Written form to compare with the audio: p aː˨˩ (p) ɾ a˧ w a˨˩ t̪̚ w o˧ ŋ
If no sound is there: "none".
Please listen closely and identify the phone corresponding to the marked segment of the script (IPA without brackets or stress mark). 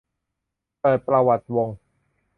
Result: p